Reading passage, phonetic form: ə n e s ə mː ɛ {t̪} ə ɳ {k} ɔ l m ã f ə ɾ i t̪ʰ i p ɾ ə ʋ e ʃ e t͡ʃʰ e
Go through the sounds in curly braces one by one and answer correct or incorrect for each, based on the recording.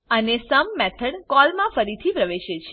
incorrect, correct

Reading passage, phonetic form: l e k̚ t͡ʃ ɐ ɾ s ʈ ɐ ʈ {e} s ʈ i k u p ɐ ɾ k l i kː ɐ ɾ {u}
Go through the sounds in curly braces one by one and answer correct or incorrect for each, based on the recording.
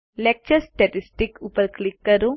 incorrect, correct

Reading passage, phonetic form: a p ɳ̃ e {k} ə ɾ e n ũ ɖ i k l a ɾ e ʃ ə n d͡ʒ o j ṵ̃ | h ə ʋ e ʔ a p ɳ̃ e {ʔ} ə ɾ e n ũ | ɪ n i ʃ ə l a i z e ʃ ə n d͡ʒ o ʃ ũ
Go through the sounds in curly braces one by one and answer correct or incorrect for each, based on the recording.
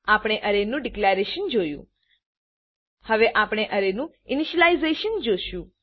incorrect, correct

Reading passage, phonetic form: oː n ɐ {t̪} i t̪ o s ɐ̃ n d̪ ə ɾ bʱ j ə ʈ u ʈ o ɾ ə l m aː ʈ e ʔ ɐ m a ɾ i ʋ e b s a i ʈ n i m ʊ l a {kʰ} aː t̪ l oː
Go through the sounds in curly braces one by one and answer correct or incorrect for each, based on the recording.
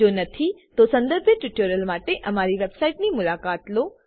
incorrect, incorrect

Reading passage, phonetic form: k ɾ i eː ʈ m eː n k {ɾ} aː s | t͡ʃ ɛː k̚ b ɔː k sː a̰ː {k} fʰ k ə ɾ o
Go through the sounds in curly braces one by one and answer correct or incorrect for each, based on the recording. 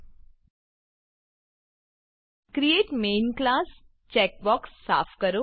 incorrect, incorrect

